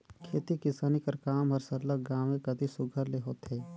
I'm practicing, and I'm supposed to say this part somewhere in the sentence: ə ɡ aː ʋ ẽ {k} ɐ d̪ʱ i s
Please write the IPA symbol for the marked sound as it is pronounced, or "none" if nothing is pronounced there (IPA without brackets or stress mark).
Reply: k